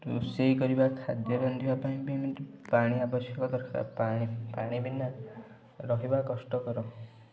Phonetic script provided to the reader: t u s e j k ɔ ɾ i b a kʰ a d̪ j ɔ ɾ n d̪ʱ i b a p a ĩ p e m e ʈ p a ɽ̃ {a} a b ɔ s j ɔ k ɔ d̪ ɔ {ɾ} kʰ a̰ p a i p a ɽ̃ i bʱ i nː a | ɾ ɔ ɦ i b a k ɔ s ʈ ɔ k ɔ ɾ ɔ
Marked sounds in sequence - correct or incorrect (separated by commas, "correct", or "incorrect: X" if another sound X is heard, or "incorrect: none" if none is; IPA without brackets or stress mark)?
incorrect: i, correct